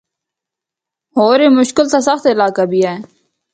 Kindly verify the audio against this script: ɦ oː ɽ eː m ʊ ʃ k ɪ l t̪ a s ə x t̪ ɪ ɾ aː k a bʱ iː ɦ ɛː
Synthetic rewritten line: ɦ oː ɾ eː m ʊ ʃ k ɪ l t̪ a s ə x t̪ ɪ l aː k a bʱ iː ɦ ɛː